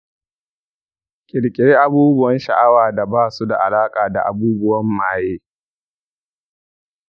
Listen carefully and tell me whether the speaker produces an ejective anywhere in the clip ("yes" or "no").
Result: yes